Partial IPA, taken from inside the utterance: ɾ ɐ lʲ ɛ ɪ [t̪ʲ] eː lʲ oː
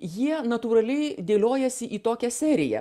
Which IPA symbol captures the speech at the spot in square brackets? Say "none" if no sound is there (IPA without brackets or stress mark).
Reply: d̪ʲ